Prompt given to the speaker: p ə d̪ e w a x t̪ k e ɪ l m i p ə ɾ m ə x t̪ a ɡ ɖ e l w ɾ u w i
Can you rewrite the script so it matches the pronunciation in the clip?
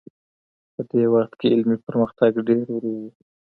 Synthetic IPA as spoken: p ə d̪ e w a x t̪ k e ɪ l m i p ə ɾ m ə x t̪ a ɡ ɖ e ɾ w ɾ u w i